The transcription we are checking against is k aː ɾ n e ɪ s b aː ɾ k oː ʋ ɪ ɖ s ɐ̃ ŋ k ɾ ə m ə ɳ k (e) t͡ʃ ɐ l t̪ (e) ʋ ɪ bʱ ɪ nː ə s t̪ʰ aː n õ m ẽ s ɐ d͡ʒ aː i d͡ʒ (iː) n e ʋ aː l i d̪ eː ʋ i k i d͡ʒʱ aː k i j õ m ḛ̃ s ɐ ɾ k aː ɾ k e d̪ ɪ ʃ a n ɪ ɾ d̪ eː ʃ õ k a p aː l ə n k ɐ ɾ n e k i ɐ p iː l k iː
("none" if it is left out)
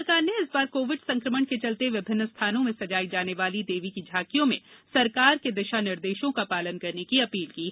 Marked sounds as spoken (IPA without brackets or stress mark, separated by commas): e, e, aː